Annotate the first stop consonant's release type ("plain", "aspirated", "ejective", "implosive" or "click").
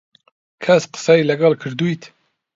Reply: aspirated